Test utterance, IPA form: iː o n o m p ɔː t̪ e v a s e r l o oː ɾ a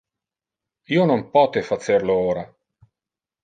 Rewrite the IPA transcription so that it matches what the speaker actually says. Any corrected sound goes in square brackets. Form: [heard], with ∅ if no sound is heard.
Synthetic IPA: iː o n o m p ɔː t̪ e [f] a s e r l o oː ɾ a